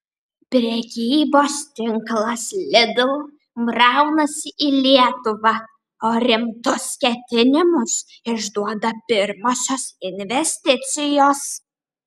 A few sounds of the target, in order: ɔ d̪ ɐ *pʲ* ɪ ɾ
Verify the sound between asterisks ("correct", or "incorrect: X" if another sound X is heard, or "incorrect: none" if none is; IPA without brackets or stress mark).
correct